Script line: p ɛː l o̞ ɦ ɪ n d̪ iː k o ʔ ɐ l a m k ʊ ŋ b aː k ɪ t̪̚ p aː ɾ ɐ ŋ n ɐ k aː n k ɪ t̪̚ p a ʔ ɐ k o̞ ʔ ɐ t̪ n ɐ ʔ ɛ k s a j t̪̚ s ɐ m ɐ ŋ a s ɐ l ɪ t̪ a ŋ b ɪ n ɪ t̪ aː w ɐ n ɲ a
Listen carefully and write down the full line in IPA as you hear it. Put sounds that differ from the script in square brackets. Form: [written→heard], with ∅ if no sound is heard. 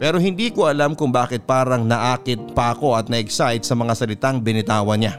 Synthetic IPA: p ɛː [l→ɾ] o̞ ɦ ɪ n d̪ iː k o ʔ ɐ l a m k ʊ ŋ b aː k ɪ t̪̚ p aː ɾ ɐ ŋ n ɐ [k→ʔ] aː [n→∅] k ɪ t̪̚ p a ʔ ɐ k o̞ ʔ ɐ t̪ n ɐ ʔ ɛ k s a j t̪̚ s ɐ m ɐ ŋ a s ɐ l ɪ t̪ a ŋ b ɪ n ɪ t̪ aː w ɐ n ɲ a